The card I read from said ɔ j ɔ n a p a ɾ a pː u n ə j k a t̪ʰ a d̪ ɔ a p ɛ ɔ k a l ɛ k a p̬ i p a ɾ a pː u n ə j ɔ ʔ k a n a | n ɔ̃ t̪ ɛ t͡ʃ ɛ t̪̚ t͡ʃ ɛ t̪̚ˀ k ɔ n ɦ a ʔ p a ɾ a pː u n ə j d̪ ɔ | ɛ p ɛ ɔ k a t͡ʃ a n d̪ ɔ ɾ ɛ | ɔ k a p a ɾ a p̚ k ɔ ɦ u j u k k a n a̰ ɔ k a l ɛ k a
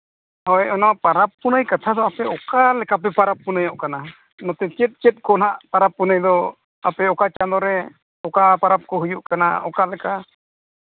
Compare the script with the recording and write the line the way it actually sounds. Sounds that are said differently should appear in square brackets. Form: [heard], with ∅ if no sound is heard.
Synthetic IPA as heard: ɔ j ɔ n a p a ɾ a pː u n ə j k a t̪ʰ a d̪ ɔ a p ɛ ɔ k a l ɛ k a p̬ [ɛ] p a ɾ a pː u n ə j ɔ ʔ k a n a | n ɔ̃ t̪ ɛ t͡ʃ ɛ t̪̚ t͡ʃ ɛ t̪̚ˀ k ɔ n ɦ a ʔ p a ɾ a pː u n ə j d̪ ɔ | [a] p ɛ ɔ k a t͡ʃ a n d̪ ɔ ɾ ɛ | ɔ k a p a ɾ a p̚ k ɔ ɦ u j u [ʔ] k a n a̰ ɔ k a l ɛ k a